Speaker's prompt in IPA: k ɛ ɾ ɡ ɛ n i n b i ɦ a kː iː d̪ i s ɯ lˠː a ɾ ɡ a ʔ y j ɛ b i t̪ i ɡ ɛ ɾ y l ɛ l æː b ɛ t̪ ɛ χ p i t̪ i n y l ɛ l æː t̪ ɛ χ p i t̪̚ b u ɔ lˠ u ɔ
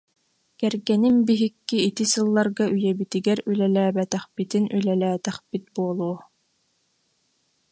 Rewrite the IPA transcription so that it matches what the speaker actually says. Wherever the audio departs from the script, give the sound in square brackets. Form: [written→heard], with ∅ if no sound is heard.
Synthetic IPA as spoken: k ɛ ɾ ɡ ɛ n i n b i ɦ [a→i] kː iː [d̪→t̪] i s ɯ lˠː a ɾ ɡ a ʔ y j ɛ b i t̪ i ɡ ɛ ɾ y l ɛ l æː b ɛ t̪ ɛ χ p i t̪ i n y l ɛ l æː t̪ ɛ χ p i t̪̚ b u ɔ lˠ u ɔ